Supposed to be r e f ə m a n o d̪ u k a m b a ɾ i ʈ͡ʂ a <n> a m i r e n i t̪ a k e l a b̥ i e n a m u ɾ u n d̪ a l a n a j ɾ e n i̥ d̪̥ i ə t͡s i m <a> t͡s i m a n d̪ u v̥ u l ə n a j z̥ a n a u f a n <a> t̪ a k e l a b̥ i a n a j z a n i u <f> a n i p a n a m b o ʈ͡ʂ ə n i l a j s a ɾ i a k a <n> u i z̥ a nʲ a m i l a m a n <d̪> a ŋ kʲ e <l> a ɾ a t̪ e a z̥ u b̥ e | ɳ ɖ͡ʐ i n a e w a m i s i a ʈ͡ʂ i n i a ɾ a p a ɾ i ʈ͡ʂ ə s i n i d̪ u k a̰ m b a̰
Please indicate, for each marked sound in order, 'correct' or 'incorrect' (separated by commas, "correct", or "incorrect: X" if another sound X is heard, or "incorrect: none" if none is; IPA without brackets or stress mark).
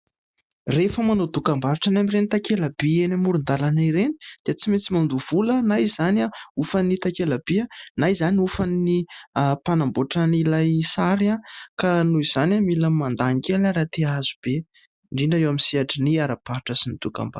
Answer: correct, incorrect: e, incorrect: i, correct, correct, correct, correct